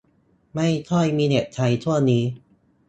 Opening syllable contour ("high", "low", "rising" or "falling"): falling